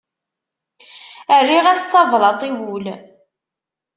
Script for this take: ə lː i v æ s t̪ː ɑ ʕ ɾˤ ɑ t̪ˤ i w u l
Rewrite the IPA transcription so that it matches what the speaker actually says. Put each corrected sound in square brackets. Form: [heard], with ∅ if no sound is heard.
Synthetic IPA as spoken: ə [rː] i [ʁ] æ s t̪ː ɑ [v] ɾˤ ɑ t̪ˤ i w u l